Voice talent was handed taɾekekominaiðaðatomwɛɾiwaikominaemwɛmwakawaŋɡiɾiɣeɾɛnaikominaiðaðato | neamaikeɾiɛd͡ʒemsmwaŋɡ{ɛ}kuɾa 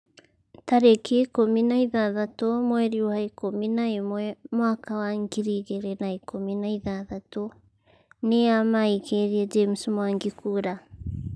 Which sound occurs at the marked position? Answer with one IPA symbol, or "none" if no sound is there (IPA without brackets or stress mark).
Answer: i